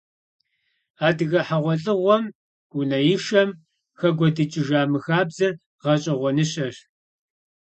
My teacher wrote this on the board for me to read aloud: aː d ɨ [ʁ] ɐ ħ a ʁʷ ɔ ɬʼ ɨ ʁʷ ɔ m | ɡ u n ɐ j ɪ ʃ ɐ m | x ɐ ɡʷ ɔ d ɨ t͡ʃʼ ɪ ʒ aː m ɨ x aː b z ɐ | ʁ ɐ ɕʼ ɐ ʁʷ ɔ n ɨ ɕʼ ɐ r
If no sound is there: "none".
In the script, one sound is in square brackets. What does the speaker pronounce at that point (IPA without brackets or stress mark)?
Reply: ɣ